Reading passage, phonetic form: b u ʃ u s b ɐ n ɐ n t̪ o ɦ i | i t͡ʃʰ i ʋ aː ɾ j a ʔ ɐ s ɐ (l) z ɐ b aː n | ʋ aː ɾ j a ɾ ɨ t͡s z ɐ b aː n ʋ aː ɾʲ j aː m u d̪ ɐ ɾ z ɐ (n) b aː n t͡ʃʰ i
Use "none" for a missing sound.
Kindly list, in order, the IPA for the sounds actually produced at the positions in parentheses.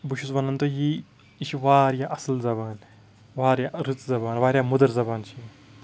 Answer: l, none

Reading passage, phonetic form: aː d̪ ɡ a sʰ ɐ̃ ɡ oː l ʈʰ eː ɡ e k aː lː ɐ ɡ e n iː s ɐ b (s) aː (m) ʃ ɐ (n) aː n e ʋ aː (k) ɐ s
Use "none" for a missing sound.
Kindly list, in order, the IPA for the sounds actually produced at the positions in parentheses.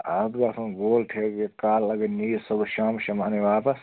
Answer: ʃ, m, m, p

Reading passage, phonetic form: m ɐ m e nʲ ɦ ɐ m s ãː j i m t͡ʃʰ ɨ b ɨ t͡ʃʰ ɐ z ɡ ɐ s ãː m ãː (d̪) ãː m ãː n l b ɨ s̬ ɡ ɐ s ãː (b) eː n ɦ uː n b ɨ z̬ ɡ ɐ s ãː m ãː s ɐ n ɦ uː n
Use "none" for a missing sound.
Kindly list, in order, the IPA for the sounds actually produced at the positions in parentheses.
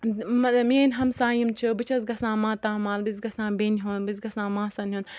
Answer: t̪, b

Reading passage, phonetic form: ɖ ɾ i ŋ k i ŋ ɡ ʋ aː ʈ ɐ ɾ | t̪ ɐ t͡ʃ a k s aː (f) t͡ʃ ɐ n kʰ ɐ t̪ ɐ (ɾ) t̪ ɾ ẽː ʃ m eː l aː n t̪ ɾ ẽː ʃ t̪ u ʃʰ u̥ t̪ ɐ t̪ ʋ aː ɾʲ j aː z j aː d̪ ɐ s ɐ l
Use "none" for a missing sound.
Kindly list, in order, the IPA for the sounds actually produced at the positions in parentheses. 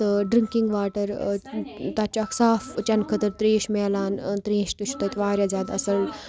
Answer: f, ɾ

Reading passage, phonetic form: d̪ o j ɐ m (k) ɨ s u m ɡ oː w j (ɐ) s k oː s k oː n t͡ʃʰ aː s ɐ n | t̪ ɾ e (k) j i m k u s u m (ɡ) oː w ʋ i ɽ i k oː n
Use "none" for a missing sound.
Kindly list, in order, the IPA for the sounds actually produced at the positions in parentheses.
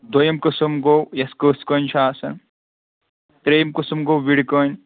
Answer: k, ɐ, none, ɡ

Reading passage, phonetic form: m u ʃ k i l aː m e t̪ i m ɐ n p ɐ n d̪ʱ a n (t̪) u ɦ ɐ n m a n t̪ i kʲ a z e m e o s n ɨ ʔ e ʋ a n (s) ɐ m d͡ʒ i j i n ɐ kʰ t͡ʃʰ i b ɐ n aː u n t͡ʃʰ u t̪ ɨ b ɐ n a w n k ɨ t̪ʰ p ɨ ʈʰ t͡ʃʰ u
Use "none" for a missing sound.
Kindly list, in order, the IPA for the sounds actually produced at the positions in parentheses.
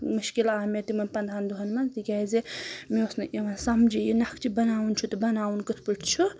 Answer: d̪, s

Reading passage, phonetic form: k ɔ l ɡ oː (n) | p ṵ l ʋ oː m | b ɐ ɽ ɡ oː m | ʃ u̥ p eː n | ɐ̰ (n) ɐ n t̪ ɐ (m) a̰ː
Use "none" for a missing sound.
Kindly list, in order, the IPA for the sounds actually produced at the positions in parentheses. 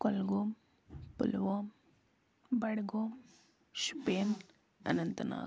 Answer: m, n, n

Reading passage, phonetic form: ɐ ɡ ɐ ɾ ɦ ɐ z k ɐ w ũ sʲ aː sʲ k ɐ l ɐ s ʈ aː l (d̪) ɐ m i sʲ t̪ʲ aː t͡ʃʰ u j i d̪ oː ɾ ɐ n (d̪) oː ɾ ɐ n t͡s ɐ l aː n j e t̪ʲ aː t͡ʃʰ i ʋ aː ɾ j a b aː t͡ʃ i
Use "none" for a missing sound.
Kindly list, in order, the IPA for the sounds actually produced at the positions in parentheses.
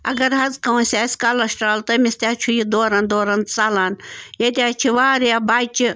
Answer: t̪, d̪

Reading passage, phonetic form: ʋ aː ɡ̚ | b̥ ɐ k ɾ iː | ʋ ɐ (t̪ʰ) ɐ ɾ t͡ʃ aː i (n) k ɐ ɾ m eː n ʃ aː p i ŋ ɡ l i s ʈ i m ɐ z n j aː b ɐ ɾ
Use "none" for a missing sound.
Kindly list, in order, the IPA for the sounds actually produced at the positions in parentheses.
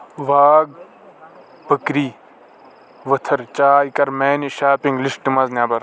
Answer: t̪ʰ, none

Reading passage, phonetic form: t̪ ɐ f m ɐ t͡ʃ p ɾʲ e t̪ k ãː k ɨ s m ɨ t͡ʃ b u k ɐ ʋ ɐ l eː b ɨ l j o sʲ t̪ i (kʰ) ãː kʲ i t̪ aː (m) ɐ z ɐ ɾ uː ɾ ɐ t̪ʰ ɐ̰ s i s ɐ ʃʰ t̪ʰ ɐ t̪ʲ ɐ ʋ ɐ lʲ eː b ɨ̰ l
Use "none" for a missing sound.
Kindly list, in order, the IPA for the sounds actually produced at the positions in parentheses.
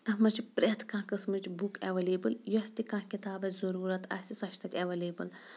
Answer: k, b

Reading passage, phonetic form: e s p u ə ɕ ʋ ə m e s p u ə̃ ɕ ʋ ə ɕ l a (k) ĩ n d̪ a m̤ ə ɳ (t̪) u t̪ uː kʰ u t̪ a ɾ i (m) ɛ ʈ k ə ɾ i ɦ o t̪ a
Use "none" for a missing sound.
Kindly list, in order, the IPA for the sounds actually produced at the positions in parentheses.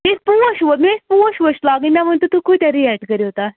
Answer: ɡ, t̪, none

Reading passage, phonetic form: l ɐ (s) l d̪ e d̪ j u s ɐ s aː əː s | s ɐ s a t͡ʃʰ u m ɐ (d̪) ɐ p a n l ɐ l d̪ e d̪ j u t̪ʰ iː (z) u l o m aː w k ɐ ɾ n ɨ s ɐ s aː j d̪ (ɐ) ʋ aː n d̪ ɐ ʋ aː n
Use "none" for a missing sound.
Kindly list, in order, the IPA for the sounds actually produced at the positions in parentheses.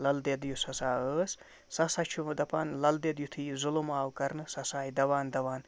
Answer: none, d̪, z, ɐ

